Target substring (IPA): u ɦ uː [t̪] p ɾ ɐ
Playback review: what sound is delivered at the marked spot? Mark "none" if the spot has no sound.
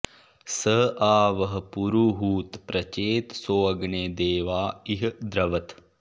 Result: t̪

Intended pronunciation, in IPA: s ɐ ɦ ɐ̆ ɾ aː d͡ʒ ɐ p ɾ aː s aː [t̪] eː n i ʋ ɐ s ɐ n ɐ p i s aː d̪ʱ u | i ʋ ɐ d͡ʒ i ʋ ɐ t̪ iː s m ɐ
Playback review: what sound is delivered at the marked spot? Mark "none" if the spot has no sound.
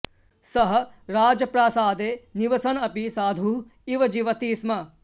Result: d̪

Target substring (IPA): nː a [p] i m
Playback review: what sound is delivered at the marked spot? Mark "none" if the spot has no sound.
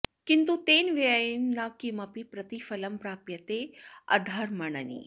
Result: k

